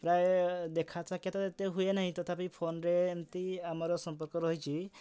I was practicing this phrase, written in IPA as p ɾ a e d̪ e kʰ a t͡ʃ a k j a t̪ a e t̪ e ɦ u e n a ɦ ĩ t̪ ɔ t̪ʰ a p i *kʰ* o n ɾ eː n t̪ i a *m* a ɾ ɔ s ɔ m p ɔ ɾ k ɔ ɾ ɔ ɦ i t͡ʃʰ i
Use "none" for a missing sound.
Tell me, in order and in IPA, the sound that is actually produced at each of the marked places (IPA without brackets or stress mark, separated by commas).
pʰ, m